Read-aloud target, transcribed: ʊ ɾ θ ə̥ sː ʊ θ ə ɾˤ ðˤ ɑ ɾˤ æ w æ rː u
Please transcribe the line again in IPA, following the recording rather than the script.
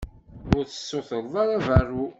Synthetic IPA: ʊ ɾ θ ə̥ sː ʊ θ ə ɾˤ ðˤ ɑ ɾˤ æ v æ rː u